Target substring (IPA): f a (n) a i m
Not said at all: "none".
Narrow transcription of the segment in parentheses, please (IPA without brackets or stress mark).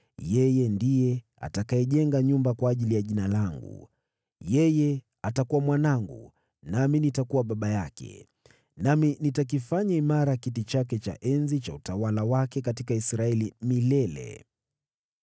ɲ